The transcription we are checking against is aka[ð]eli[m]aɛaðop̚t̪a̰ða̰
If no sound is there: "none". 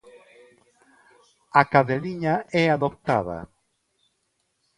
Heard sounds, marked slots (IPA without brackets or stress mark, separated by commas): ð, ɲ